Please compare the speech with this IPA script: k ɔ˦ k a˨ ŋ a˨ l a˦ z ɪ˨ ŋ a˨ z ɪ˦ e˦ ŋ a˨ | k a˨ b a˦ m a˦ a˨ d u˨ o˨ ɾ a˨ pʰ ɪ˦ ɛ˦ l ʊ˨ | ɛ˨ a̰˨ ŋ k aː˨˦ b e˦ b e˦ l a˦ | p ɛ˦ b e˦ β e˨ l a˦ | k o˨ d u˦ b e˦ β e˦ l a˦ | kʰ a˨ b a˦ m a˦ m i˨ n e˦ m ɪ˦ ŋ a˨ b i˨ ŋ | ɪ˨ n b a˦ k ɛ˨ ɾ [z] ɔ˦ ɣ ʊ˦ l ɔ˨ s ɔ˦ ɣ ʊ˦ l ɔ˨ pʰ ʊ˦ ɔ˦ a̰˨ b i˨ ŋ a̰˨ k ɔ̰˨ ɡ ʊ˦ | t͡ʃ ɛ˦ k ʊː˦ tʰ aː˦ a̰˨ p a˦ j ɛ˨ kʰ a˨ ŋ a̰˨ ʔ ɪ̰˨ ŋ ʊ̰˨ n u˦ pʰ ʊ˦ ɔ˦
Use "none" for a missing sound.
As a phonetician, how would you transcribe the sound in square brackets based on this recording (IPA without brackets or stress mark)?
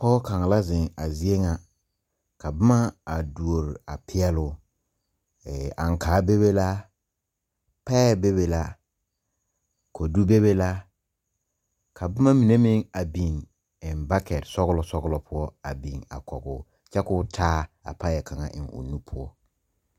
s